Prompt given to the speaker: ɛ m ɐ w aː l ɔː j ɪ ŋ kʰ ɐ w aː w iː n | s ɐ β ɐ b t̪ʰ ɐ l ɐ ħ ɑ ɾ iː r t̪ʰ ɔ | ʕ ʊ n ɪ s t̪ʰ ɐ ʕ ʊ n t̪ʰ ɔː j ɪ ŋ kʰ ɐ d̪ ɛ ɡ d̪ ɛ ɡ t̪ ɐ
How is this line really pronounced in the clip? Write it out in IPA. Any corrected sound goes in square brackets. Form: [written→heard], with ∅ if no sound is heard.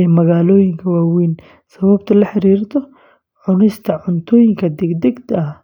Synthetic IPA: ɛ m ɐ [w→ɣ] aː l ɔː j ɪ ŋ kʰ ɐ w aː w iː n | s ɐ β ɐ b t̪ʰ ɐ l ɐ ħ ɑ ɾ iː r t̪ʰ ɔ | ʕ ʊ n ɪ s t̪ʰ ɐ ʕ ʊ n t̪ʰ ɔː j ɪ ŋ kʰ ɐ d̪ ɛ ɡ d̪ ɛ ɡ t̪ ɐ